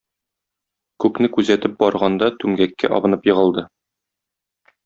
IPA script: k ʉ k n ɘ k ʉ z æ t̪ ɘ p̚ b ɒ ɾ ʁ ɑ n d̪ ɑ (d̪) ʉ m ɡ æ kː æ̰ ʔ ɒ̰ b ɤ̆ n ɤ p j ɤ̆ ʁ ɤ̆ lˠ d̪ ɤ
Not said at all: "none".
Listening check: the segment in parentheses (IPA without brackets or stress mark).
t̪